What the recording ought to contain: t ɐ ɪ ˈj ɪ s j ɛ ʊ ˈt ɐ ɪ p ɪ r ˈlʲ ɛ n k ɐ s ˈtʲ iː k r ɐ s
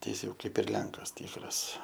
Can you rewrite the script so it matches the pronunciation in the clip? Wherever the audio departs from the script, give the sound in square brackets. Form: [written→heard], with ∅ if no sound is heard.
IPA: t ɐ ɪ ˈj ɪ s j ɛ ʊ [ˈt→ˈk] ɐ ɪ p ɪ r ˈlʲ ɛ [n→ŋ] k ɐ s ˈtʲ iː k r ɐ s